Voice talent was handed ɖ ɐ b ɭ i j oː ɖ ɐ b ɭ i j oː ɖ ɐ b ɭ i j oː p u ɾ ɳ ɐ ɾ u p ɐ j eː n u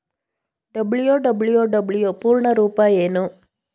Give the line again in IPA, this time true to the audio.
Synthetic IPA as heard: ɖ ɐ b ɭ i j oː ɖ ɐ b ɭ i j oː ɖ ɐ b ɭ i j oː p uː ɾ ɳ ɐ ɾ uː p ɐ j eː n u